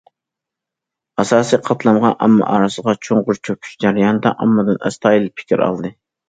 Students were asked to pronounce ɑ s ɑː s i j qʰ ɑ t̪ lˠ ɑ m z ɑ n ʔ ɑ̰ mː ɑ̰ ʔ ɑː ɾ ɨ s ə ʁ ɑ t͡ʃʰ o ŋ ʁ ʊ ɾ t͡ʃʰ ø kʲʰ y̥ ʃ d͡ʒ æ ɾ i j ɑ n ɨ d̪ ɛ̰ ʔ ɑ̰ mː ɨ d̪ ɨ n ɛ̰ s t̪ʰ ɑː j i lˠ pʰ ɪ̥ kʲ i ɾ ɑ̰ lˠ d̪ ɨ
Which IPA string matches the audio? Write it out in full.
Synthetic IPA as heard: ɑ s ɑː s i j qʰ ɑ t̪ lˠ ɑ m ʁ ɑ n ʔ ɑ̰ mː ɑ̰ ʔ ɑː ɾ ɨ s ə ʁ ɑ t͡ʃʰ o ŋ ʁ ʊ ɾ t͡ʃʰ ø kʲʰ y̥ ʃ d͡ʒ æ ɾ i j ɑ n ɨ d̪ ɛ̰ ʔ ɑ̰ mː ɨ d̪ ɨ n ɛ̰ s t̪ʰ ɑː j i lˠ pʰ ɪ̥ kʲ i ɾ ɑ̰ lˠ d̪ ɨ

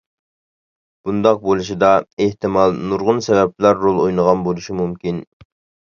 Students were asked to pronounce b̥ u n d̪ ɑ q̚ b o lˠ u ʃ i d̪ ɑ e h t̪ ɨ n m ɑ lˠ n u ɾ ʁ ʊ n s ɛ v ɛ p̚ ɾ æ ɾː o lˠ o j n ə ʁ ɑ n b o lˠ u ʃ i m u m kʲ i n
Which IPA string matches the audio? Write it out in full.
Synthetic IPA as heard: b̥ u n d̪ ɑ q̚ b o lˠ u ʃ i d̪ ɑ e h t̪ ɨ m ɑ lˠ n u ɾ ʁ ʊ n s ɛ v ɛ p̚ l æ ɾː o lˠ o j n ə ʁ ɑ n b o lˠ u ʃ i m u m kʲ i n

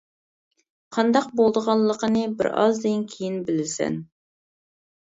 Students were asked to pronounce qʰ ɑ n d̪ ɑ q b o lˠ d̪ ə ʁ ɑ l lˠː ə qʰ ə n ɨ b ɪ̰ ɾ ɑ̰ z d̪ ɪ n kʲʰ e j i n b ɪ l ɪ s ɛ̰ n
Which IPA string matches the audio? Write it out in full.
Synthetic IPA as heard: qʰ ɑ n d̪ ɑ q b o lˠ d̪ ə ʁ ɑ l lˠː ə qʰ ə n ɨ b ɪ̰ ɾ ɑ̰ z d̪ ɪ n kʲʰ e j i n b ɪ l ɪ s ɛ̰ n

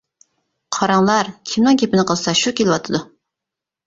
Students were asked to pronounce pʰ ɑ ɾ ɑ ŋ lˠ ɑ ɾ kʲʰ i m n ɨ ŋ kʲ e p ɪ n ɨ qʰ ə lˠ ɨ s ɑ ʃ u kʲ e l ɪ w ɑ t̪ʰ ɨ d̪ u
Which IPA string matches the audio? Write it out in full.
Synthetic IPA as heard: qʰ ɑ ɾ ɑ ŋ lˠ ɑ ɾ kʲʰ i m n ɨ ŋ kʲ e p ɪ n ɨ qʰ ə lˠ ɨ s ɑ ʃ u kʲ e l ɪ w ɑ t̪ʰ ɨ d̪ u

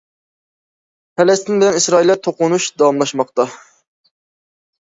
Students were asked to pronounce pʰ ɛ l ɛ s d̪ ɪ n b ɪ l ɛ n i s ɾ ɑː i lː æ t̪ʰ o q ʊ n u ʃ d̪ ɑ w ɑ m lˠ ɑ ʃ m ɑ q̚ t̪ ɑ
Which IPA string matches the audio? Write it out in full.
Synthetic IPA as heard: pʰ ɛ l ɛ s t̪ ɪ n b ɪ l ɛ n i s ɾ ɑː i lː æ t̪ʰ o q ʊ n u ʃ d̪ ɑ w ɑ m lˠ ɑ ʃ m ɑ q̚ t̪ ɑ

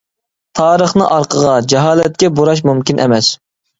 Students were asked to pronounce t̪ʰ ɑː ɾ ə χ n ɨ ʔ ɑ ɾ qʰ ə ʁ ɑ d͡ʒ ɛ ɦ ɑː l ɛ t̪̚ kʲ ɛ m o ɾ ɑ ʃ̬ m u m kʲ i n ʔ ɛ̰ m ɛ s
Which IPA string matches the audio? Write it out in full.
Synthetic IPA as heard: t̪ʰ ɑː ɾ ə χ n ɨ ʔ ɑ ɾ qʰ ə ʁ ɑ d͡ʒ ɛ ɦ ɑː l ɛ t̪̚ kʲ ɛ b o ɾ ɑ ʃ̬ m u m kʲ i n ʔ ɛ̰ m ɛ s

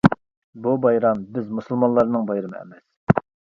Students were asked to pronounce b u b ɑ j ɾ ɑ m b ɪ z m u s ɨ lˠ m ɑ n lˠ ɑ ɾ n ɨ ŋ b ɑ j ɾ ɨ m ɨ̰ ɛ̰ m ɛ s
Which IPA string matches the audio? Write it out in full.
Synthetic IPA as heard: b u b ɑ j ɾ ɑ m b ɪ z m u s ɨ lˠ m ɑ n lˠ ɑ ɾ n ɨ ŋ b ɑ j ɾ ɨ m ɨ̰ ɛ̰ m ɛ s

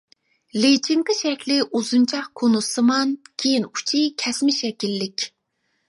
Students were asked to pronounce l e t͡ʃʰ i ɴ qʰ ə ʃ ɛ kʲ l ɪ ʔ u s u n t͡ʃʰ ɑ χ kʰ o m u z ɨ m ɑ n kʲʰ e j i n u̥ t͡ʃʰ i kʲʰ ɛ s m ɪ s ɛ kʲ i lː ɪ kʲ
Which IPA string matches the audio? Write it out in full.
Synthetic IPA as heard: l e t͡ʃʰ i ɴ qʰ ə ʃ ɛ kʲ l ɪ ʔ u z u n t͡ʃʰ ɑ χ kʰ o n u s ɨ m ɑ n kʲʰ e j i n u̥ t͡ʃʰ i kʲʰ ɛ s m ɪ ʃ ɛ kʲ i lː ɪ kʲ

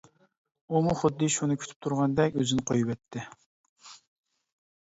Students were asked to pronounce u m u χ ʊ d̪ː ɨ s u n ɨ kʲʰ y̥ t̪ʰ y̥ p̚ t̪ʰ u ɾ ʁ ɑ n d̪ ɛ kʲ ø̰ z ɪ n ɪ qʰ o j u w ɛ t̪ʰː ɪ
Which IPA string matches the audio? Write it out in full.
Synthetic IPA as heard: u m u χ ʊ d̪ː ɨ ʃ u n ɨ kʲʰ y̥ t̪ʰ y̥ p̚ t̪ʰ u ɾ ʁ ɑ n d̪ ɛ kʲ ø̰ z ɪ n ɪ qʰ o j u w ɛ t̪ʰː ɪ

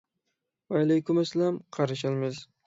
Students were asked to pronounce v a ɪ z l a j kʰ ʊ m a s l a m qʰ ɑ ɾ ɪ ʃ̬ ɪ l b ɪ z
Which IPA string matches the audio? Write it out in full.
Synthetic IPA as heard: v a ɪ l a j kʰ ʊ m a s l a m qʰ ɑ ɾ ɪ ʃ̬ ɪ l m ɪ z

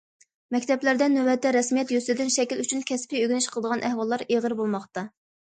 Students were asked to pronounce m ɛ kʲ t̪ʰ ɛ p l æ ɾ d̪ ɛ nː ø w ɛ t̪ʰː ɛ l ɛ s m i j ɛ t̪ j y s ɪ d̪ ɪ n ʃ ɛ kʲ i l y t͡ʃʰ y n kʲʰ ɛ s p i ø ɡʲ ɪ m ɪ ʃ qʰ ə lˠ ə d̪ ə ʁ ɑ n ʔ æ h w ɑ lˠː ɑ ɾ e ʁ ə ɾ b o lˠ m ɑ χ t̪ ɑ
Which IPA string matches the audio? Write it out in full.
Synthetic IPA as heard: m ɛ kʲ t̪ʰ ɛ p l æ ɾ d̪ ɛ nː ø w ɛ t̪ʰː ɛ ɾ ɛ s m i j ɛ t̪ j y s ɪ d̪ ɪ n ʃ ɛ kʲ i l y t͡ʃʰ y n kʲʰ ɛ s p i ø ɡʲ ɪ n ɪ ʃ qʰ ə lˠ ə d̪ ə ʁ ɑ n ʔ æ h w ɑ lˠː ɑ ɾ e ʁ ə ɾ b o lˠ m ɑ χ t̪ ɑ

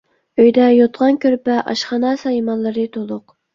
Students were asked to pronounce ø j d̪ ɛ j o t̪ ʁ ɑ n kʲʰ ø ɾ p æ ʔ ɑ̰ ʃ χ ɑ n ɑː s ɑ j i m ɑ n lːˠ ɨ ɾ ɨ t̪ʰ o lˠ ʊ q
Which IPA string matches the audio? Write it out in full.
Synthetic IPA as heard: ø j d̪ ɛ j o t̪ ʁ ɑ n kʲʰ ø ɾ p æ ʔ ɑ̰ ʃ χ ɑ n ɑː s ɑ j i m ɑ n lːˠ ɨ ɾ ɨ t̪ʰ o lˠ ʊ q

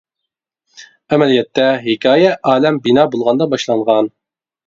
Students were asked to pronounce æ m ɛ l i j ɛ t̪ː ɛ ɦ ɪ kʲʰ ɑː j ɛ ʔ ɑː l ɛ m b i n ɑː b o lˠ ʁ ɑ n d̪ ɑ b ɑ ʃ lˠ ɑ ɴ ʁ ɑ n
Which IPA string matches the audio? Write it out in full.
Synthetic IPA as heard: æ m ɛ l i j ɛ t̪ː ɛ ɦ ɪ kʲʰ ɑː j ɛ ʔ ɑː l ɛ m b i n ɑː b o lˠ ʁ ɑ n d̪ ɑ b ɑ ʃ lˠ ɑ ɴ ʁ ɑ n

